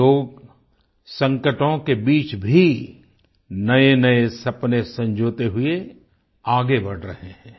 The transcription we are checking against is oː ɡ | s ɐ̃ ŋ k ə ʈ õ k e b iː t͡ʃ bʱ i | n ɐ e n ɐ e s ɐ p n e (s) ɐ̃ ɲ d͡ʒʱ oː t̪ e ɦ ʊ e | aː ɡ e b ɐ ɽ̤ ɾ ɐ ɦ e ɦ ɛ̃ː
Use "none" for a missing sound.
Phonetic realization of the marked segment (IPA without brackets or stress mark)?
s